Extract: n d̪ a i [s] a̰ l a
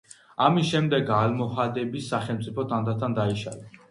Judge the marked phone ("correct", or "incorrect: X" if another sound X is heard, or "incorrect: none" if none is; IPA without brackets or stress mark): incorrect: ʃ